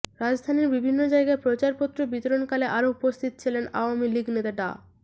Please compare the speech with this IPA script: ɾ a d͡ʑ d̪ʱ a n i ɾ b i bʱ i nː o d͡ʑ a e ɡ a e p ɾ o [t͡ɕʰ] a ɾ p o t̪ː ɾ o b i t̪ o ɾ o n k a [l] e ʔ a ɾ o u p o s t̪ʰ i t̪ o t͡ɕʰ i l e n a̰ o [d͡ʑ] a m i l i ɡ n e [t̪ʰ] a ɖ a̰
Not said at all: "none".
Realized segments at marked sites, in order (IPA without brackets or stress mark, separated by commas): t͡ɕ, l, none, t̪